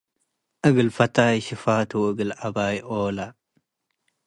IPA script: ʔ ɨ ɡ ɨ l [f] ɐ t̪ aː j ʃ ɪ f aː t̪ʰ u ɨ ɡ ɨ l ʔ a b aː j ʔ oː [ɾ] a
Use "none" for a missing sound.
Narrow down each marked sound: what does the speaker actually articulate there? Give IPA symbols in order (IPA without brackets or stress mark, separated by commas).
f, l